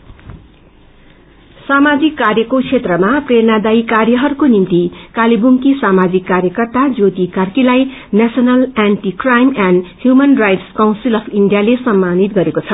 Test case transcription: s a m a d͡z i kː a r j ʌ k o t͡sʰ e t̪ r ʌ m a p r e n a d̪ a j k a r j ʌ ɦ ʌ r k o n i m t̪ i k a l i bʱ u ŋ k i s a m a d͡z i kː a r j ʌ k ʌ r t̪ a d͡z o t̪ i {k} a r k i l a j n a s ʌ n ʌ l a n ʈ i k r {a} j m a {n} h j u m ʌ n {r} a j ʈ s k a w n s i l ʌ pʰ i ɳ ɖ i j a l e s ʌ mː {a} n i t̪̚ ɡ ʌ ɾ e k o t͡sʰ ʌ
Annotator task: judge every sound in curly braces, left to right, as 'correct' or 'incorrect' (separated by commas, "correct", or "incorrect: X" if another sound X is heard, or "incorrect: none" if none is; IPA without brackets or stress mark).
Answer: correct, correct, correct, correct, correct